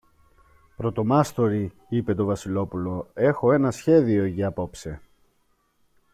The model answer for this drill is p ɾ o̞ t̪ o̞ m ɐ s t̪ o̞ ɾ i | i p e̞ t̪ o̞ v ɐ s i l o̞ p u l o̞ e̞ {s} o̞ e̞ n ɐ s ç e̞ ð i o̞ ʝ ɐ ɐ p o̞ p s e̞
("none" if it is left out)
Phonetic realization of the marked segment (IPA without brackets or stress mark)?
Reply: x